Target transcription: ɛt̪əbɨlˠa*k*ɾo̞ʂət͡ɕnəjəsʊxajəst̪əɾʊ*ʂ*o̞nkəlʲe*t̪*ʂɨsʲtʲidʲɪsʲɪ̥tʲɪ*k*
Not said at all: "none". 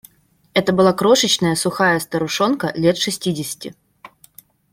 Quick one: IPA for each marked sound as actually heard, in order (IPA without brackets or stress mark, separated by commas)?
k, ʂ, t̪, none